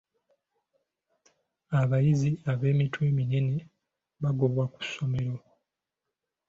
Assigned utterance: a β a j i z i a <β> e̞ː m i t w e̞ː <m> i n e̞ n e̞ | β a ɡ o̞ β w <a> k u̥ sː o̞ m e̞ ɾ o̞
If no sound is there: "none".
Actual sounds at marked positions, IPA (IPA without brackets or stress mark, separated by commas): β, m, a